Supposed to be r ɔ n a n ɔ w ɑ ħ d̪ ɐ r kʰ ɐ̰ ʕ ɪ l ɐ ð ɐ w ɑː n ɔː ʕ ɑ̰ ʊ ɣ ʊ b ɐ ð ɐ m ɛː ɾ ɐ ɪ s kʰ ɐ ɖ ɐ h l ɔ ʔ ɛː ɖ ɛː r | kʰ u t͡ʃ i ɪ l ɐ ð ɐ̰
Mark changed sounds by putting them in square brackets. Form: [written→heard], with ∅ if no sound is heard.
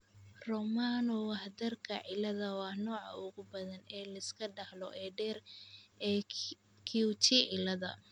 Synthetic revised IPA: r ɔ [n→m] a n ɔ w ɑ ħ d̪ ɐ r kʰ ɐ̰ ʕ ɪ l ɐ ð ɐ w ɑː n ɔː ʕ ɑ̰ ʊ ɣ ʊ b ɐ ð ɐ [m→n] ɛː [ɾ→l] ɐ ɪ s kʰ ɐ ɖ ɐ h l ɔ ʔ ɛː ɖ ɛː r | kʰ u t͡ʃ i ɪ l ɐ ð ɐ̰

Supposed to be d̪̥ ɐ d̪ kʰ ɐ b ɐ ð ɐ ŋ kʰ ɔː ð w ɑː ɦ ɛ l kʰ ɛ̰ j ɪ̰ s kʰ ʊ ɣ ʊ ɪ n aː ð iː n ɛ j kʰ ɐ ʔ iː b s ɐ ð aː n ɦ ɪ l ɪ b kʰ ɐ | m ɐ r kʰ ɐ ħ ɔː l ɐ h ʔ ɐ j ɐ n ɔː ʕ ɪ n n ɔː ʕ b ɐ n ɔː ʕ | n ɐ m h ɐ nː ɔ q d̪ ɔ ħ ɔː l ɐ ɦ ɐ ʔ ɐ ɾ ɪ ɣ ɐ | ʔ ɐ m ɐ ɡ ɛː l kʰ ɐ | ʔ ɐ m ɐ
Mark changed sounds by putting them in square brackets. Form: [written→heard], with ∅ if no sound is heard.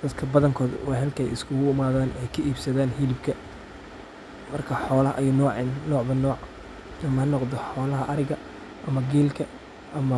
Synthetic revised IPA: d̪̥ ɐ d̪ kʰ ɐ b ɐ ð ɐ ŋ kʰ ɔː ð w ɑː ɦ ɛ l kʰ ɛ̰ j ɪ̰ s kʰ ʊ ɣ ʊ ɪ [n→m] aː ð [iː→aː] n ɛ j kʰ ɐ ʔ iː b s ɐ ð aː n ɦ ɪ l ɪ b kʰ ɐ | m ɐ r kʰ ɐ ħ ɔː l ɐ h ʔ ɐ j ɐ n ɔː ʕ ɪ n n ɔː ʕ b ɐ n ɔː ʕ | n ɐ m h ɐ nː ɔ q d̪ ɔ ħ ɔː l ɐ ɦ ɐ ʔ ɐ ɾ ɪ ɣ ɐ | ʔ ɐ m ɐ ɡ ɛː l kʰ ɐ | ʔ ɐ m ɐ

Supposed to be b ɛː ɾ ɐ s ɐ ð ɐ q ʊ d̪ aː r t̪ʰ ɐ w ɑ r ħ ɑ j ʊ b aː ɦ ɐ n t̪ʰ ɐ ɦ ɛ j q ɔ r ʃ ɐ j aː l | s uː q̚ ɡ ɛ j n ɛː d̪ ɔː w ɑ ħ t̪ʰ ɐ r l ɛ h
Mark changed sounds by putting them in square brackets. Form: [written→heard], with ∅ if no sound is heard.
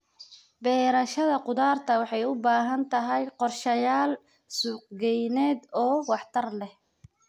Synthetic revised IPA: b ɛː ɾ ɐ [s→ʃ] ɐ ð ɐ q ʊ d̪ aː r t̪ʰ ɐ w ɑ [r→∅] ħ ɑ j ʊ b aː ɦ ɐ n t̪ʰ ɐ ɦ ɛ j q ɔ r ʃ ɐ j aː l | s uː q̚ ɡ ɛ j n ɛː d̪ ɔː w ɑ ħ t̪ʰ ɐ r l ɛ h

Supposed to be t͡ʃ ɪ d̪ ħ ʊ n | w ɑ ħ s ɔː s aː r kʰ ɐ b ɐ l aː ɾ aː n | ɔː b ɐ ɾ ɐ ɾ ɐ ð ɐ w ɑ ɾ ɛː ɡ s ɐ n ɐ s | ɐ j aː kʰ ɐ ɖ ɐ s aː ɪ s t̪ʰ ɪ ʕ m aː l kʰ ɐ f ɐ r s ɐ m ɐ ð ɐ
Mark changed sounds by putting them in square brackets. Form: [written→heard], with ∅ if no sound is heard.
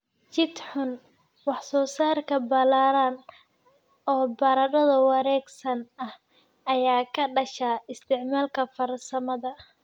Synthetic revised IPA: t͡ʃ ɪ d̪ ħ ʊ n | w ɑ ħ s ɔː s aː r kʰ ɐ b ɐ l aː ɾ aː n | ɔː b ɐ ɾ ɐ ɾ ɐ ð ɐ w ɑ ɾ ɛː ɡ s ɐ n ɐ [s→h] | ɐ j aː kʰ ɐ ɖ ɐ [s→ʃ] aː ɪ s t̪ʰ ɪ ʕ m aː l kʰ ɐ f ɐ r s ɐ m ɐ ð ɐ

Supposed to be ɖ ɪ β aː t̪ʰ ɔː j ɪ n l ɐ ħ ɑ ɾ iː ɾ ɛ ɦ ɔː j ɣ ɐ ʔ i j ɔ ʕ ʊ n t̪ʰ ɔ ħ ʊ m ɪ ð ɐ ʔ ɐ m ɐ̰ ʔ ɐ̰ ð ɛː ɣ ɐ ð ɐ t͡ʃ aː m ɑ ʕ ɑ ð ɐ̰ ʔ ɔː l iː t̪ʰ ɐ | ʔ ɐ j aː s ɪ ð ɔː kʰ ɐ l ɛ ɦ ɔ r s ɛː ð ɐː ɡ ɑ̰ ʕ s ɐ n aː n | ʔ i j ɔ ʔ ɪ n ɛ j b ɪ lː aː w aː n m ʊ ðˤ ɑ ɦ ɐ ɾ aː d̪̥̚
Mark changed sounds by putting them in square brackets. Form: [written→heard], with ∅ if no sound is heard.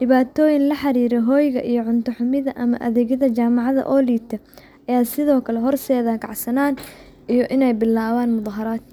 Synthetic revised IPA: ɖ ɪ β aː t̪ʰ ɔː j ɪ n l ɐ ħ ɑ ɾ iː ɾ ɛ ɦ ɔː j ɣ ɐ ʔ i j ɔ ʕ ʊ n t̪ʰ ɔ ħ ʊ m ɪ ð ɐ ʔ ɐ m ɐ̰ ʔ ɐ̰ ð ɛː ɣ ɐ ð ɐ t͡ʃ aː m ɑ ʕ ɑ ð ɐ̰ ʔ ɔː l iː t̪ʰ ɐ | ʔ ɐ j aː s ɪ ð ɔː kʰ ɐ l ɛ ɦ ɔ r s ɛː ð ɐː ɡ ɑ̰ ʕ s ɐ n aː n | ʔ i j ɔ ʔ ɪ n ɛ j b ɪ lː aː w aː n m ʊ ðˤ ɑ ɦ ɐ ɾ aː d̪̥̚

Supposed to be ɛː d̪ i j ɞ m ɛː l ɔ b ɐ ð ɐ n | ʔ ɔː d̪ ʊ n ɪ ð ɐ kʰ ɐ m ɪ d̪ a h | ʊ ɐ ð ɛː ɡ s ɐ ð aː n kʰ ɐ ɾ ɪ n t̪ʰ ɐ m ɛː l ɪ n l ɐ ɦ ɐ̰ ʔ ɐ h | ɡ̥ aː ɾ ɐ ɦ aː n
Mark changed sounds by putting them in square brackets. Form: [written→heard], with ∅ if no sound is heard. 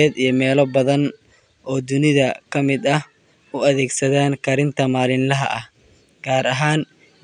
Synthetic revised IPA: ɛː d̪ i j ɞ m ɛː l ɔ b ɐ ð ɐ n | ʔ ɔː d̪ ʊ n ɪ ð ɐ kʰ ɐ m ɪ d̪ [a→ɐ] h | ʊ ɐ ð ɛː ɡ s ɐ ð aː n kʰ ɐ ɾ ɪ n t̪ʰ ɐ m [ɛː→aː] l ɪ n l ɐ ɦ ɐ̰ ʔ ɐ h | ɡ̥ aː ɾ ɐ ɦ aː n

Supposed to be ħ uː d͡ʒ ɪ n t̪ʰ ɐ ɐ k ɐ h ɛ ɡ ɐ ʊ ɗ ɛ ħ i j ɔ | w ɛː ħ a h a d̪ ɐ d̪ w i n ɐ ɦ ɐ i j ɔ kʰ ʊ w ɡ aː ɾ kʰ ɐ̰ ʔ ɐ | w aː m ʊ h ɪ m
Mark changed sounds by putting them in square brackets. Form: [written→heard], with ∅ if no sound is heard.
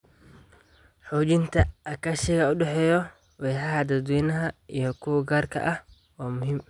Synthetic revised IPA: ħ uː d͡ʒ ɪ n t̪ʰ ɐ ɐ k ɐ [h→ʃ] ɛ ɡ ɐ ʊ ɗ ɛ ħ [i→ɛ] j ɔ | w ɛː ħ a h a d̪ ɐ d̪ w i n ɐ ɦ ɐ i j ɔ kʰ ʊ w ɡ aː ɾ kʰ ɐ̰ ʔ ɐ | w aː m ʊ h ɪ m

